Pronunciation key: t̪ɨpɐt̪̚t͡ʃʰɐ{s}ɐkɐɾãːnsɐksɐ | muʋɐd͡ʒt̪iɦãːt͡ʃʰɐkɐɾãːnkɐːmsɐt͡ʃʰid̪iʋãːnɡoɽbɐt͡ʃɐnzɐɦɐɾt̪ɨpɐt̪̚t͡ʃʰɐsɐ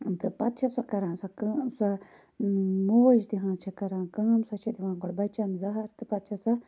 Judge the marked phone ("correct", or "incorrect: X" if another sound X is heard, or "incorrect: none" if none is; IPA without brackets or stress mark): correct